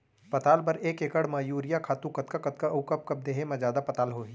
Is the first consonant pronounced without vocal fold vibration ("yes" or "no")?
yes